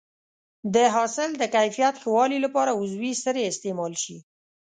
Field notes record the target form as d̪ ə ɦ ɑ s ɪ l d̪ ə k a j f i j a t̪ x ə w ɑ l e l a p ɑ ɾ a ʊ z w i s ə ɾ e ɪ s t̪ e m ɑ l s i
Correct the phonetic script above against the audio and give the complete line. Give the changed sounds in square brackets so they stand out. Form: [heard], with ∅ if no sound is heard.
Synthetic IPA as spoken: d̪ ə ɦ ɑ s ɪ l d̪ ə k a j f i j a t̪ x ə w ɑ l [i] l a p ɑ ɾ a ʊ z w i s ə ɾ e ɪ s t̪ e m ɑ l [ʃ] i